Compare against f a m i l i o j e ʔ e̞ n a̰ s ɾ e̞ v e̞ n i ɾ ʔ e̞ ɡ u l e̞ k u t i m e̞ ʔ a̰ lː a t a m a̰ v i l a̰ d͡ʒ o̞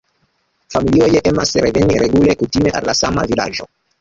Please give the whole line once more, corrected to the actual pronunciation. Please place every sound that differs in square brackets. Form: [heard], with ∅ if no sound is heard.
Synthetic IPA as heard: f a m i l i o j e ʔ e̞ [m] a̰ s ɾ e̞ v e̞ n i ɾ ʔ e̞ ɡ u l e̞ k u t i m e̞ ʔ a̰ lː a [s] a m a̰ v i l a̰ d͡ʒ o̞

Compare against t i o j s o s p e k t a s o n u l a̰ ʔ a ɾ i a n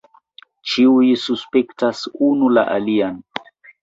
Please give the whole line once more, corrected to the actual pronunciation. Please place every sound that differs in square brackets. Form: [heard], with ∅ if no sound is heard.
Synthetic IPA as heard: [t͡ʃ] i [u] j s [u] s p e k t a s [u] n u l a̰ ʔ a [l] i a n

